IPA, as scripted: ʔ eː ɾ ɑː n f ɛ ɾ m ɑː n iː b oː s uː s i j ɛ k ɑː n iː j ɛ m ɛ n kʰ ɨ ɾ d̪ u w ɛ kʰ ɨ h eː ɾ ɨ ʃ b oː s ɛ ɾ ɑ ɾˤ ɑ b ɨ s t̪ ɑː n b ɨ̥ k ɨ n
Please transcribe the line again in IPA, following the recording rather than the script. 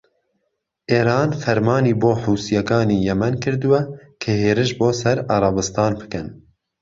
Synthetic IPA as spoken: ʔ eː ɾ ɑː n f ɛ ɾ m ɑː n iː b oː ħ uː s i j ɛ k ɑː n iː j ɛ m ɛ n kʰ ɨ ɾ d̪ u w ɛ kʰ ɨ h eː ɾ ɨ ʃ b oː s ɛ ɾ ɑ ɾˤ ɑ b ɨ s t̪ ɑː n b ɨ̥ k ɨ n